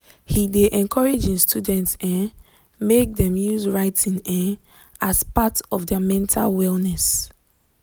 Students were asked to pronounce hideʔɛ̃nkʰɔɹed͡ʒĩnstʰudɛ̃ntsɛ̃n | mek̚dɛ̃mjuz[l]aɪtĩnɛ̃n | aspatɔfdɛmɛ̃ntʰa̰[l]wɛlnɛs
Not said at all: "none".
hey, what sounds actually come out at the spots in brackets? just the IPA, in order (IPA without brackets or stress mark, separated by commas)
ɹ, l